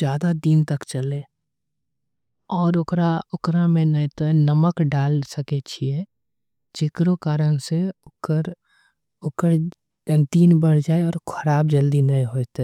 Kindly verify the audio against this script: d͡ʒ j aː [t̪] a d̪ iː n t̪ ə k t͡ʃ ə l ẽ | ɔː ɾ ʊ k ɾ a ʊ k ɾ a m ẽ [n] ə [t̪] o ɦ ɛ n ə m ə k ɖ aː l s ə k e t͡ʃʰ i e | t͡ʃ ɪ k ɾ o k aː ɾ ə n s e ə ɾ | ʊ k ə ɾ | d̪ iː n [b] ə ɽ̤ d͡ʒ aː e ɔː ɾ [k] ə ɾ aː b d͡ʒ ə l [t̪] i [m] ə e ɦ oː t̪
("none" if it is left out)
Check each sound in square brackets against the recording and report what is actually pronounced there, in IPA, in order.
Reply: d̪, n, t̪, b, kʰ, d̪, n

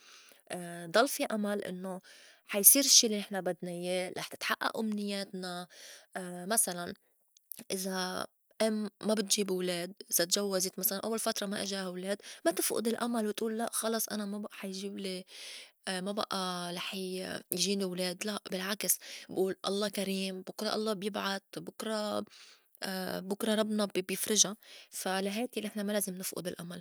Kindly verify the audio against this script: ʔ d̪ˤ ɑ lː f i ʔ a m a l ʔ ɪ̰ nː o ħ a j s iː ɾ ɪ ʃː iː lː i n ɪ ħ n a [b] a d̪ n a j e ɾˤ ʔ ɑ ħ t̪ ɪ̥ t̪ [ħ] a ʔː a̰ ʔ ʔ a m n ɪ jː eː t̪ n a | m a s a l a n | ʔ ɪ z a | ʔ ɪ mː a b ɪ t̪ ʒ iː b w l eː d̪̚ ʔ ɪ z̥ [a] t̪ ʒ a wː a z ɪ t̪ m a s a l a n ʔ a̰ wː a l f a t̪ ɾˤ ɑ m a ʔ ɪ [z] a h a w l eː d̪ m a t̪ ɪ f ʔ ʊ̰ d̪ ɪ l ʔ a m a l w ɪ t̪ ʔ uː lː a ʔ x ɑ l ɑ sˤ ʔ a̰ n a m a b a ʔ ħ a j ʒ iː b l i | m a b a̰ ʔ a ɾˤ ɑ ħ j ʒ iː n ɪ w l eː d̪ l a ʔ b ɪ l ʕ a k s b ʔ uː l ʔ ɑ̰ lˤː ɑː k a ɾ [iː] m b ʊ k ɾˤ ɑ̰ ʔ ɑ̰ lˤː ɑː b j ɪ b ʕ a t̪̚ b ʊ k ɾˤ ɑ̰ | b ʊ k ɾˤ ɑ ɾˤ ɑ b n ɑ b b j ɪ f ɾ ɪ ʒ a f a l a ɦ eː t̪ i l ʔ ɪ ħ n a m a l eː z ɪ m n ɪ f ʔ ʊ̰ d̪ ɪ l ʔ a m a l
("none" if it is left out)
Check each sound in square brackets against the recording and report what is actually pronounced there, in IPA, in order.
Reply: b, ħ, a, ʒ, iː

